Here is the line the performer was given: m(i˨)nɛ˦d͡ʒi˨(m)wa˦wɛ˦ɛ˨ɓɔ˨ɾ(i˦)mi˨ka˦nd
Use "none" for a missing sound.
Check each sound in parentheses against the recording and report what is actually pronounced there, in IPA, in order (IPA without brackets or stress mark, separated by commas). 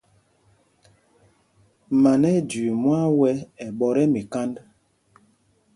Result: a˨, m, ɛ˦